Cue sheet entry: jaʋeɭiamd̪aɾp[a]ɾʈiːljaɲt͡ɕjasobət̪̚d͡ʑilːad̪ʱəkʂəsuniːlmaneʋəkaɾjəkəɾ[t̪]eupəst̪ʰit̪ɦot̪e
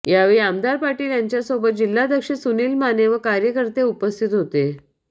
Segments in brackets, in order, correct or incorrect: correct, correct

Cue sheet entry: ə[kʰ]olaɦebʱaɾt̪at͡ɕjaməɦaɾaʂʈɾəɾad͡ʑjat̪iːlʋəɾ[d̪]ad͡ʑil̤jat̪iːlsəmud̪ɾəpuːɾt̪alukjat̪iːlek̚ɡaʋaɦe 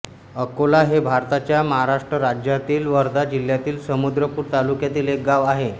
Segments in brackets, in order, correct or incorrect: incorrect, correct

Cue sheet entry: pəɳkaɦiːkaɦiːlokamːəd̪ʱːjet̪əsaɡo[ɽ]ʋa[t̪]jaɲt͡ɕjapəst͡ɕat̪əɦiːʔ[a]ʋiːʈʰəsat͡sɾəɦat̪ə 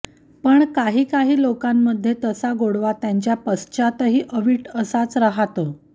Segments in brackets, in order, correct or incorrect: correct, correct, incorrect

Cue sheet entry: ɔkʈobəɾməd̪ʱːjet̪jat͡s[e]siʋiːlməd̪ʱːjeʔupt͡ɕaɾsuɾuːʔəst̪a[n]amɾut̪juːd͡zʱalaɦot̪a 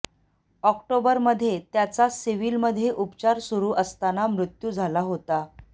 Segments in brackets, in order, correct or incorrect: incorrect, correct

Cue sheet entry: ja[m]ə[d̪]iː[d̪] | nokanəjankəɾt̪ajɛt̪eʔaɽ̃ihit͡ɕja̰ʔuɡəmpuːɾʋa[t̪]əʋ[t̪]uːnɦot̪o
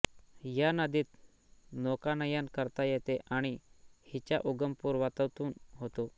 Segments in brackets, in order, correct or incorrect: incorrect, correct, incorrect, correct, correct

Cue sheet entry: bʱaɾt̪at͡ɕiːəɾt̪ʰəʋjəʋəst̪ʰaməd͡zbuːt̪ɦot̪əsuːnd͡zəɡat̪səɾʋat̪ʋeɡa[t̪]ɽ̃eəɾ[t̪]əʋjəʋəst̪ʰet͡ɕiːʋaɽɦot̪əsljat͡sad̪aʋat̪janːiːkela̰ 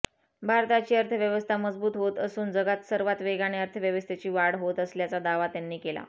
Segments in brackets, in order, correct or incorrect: incorrect, incorrect

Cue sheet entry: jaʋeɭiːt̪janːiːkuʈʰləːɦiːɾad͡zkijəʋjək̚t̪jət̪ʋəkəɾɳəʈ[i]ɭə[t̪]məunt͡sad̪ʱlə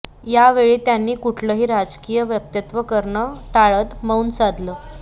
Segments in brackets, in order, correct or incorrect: incorrect, correct

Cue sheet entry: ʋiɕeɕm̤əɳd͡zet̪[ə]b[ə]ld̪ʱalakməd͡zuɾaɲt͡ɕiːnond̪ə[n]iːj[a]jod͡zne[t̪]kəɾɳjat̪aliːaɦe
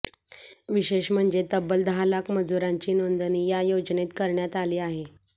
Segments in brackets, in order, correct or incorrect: correct, correct, correct, correct, correct

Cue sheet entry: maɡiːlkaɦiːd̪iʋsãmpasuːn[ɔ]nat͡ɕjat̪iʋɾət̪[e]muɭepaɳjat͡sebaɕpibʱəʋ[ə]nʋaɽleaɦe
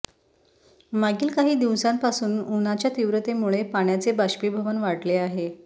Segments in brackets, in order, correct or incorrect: incorrect, correct, correct

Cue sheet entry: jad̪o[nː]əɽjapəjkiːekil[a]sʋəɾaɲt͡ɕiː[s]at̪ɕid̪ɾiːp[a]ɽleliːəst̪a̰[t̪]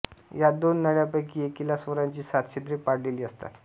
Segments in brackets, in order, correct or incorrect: correct, correct, correct, correct, correct

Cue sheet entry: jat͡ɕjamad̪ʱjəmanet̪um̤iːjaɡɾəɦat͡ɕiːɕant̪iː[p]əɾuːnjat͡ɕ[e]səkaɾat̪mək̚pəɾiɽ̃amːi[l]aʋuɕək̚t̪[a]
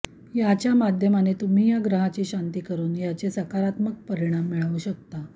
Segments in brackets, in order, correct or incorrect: incorrect, correct, incorrect, correct

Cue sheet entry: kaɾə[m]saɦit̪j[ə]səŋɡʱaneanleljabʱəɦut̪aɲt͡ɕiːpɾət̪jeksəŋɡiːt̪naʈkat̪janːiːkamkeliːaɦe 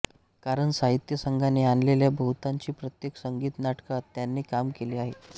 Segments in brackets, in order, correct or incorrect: incorrect, correct

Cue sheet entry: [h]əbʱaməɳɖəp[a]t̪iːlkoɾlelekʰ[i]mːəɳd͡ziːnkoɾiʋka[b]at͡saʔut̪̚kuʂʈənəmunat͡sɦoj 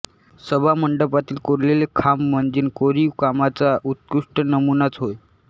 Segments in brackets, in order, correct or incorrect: incorrect, correct, incorrect, incorrect

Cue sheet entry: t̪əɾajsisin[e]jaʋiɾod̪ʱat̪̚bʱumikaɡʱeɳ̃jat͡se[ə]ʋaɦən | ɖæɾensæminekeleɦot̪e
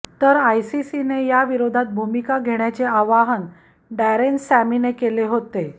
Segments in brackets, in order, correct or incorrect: correct, incorrect

